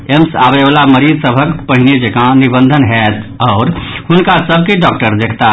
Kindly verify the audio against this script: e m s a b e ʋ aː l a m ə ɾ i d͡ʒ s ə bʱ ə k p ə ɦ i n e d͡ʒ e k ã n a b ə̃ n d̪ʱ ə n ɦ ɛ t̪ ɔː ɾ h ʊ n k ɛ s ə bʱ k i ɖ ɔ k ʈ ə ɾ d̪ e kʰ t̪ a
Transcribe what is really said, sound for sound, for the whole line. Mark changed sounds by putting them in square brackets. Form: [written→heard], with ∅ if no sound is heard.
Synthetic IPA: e m s a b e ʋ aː l a m ə ɾ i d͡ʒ s ə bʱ ə k p ə ɦ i n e d͡ʒ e k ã n [a→i] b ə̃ n d̪ʱ ə n ɦ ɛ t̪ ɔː ɾ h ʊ n k [ɛ→a] s ə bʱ k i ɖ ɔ k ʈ ə ɾ d̪ e kʰ t̪ a

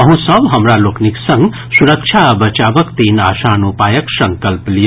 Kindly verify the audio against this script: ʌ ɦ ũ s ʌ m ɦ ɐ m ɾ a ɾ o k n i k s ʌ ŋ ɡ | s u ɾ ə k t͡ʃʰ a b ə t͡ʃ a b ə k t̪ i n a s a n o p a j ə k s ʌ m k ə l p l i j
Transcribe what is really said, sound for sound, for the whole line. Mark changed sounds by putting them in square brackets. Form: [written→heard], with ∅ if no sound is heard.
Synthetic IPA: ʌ ɦ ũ s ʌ [m→b] ɦ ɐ m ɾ a [ɾ→l] o k n i k s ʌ ŋ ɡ | s u ɾ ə k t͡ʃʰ a b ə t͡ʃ a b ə k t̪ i n a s a n [o→u] p a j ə k s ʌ [m→ŋ] k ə l p l i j

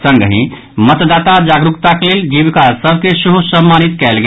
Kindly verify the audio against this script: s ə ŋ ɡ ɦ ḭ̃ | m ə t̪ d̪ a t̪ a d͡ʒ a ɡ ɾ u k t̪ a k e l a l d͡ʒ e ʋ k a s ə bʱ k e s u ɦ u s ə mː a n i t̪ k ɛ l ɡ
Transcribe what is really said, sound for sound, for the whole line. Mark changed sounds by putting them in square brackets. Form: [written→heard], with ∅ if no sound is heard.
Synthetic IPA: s ə ŋ ɡ ɦ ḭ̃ | m ə t̪ d̪ a t̪ a d͡ʒ a ɡ ɾ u k t̪ a k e l [a→e] l d͡ʒ [e→i] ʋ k a s ə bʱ k e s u ɦ u s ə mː a n i t̪ k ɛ l ɡ

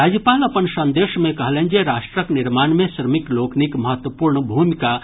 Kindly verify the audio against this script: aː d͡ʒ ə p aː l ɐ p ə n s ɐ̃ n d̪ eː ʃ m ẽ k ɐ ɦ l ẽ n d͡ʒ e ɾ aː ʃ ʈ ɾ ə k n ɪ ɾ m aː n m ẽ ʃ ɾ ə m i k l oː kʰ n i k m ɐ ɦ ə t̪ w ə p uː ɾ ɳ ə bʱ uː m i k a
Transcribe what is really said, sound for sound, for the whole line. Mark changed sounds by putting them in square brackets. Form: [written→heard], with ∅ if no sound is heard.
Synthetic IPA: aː d͡ʒ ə p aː l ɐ p ə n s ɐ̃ n d̪ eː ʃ m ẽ k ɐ ɦ l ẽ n d͡ʒ e ɾ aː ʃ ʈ ɾ ə k n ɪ ɾ m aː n m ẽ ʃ ɾ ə m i k l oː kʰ n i k m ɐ ɦ ə t̪ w ə p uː ɾ ɳ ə bʱ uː m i k a

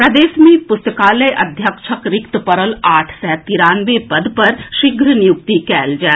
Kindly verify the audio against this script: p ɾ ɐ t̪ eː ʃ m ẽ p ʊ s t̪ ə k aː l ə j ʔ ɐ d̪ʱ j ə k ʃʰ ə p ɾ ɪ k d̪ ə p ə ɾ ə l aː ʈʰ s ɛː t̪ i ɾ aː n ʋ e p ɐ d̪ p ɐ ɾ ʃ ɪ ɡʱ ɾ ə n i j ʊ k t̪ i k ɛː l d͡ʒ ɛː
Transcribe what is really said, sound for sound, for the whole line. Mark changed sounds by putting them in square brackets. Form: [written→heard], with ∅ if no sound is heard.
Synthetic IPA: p ɾ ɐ [t̪→d̪] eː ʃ m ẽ p ʊ s t̪ ə k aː l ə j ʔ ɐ d̪ʱ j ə k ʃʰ ə [p→k] ɾ ɪ k [d̪→t̪] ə p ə ɾ ə l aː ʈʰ s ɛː t̪ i ɾ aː n ʋ e p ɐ d̪ p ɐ ɾ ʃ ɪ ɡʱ ɾ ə n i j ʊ k t̪ i k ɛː l d͡ʒ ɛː

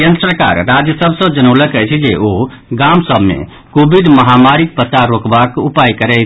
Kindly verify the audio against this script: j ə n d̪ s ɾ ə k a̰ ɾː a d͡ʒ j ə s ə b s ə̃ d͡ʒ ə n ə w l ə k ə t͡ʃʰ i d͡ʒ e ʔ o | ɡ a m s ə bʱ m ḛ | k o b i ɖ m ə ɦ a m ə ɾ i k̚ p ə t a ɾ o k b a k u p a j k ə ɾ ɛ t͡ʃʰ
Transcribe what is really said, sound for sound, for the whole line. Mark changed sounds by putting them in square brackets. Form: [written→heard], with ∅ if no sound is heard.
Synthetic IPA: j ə n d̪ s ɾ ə k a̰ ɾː a d͡ʒ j ə s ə b s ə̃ d͡ʒ ə n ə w l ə k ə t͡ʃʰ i d͡ʒ e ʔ o | ɡ a m s ə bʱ m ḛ | k o b i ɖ m ə ɦ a m [ə→a] ɾ i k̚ p ə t a ɾ o k b a k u p a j k ə ɾ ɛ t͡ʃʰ

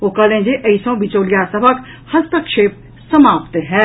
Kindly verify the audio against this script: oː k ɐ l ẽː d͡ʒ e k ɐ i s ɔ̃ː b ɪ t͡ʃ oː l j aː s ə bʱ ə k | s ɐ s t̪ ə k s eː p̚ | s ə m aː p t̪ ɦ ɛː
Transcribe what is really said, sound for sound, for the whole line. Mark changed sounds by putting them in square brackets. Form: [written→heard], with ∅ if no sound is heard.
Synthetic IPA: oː k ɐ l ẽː d͡ʒ e [k→ʔ] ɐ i s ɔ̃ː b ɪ t͡ʃ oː l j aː s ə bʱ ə k | [s→h] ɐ s t̪ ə k [s→ʃ] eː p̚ | s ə m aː p t̪ ɦ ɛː

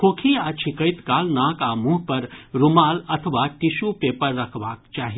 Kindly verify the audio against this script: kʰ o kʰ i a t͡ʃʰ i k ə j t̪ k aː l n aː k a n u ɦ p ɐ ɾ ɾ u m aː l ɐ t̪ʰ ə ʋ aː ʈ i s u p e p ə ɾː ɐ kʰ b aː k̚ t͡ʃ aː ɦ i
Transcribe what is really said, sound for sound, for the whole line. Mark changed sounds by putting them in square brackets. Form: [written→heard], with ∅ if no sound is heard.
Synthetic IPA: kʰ o kʰ i a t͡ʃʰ i k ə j t̪ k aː l n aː k a [n→m] u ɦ p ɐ ɾ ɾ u m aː l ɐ t̪ʰ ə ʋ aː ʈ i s u p e p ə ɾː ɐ kʰ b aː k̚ t͡ʃ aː ɦ i

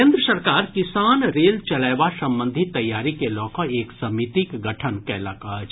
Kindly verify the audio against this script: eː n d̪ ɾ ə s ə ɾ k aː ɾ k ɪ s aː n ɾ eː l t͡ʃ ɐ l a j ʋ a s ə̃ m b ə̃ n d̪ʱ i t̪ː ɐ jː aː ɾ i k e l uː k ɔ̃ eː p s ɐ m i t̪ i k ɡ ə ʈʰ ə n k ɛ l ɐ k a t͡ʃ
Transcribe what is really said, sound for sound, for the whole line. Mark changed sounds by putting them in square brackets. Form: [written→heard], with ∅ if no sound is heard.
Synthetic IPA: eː n d̪ ɾ ə s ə ɾ k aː ɾ k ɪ s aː n ɾ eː l t͡ʃ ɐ l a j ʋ a s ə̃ m b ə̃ n d̪ʱ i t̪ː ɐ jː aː ɾ i k e l [uː→ɔː] k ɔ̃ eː [p→k] s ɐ m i t̪ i k ɡ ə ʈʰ ə n k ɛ l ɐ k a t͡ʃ

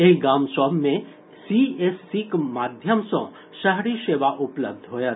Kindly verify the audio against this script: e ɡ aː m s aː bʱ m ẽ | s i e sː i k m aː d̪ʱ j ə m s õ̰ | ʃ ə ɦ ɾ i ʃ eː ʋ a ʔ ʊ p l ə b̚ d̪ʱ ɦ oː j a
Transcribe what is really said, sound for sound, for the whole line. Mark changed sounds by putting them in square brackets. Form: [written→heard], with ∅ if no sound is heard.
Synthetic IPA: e ɡ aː m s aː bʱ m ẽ | s i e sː i k m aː d̪ʱ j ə m s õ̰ | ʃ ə ɦ ɾ i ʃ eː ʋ a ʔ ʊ p l ə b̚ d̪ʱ ɦ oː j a

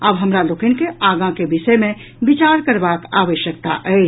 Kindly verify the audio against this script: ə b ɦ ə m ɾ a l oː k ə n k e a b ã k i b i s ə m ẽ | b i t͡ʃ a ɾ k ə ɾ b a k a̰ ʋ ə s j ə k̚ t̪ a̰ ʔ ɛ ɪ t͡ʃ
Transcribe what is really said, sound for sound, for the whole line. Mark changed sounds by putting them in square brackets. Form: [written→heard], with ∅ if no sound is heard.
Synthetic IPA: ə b ɦ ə m ɾ a l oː k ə n k e a [b→ɡ] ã k [i→e] b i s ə m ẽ | b i t͡ʃ a ɾ k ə ɾ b a k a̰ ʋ ə [s→ʃ] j ə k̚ t̪ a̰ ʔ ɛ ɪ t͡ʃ

